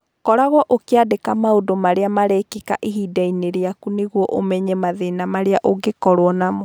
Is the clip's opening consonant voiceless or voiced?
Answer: voiceless